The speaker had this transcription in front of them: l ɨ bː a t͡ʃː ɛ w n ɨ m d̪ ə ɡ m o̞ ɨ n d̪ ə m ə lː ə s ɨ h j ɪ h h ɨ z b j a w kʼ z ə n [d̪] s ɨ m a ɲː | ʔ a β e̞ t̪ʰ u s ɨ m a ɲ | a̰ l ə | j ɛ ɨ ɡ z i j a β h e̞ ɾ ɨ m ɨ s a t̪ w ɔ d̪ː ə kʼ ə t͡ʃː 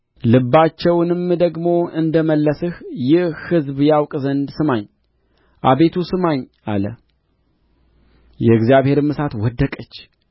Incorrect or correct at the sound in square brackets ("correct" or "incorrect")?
correct